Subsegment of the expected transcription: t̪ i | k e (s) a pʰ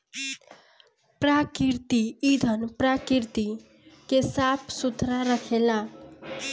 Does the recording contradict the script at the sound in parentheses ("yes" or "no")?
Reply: no